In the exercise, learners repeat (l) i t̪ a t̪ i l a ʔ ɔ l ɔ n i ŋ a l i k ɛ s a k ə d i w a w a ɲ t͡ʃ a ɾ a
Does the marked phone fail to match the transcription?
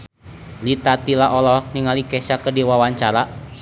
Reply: no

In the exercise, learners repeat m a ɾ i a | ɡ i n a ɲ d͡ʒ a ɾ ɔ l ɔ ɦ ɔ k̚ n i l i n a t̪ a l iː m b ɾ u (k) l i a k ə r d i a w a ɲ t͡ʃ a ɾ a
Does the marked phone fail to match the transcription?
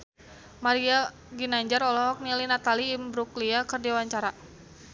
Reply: no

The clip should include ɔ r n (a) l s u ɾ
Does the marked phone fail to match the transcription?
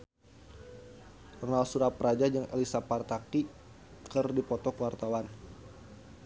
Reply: no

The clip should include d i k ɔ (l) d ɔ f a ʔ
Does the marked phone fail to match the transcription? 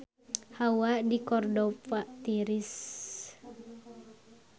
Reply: yes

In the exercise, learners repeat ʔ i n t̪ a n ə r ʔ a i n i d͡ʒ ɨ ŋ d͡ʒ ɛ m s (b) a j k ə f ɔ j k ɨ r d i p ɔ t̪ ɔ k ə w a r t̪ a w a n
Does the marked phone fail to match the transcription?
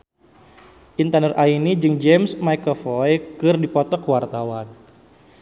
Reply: yes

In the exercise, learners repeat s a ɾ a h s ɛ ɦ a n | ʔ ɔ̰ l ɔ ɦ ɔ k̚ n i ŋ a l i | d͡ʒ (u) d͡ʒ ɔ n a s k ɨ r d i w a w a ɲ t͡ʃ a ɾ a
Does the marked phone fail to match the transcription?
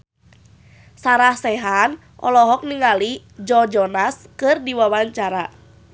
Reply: yes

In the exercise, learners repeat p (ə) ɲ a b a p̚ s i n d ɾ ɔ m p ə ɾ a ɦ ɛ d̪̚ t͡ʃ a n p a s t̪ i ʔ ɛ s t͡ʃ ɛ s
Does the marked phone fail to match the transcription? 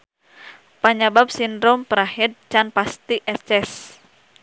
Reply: yes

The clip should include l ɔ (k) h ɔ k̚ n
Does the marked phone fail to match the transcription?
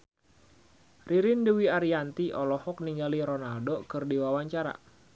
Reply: yes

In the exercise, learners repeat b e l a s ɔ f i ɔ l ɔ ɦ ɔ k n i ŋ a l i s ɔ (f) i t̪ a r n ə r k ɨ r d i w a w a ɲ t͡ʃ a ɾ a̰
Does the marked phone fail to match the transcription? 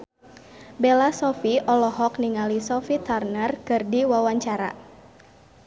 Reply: no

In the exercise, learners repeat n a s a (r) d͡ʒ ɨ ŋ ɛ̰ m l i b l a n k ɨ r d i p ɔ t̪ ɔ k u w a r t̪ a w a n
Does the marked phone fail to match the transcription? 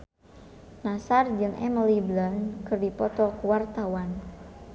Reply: no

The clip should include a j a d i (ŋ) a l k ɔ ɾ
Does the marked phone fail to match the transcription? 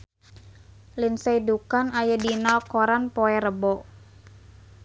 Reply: yes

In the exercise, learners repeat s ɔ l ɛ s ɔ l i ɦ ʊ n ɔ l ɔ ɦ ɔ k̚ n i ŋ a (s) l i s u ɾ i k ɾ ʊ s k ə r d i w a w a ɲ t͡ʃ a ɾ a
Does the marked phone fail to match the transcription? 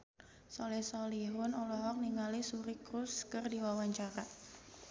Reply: yes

